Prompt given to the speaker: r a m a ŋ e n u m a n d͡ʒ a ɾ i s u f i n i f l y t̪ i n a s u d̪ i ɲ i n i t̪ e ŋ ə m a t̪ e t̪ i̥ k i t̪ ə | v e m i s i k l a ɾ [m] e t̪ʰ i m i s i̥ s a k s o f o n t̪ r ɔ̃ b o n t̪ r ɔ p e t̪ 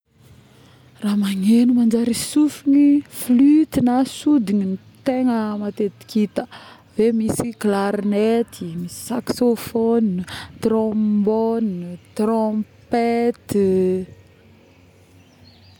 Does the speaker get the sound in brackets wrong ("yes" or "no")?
yes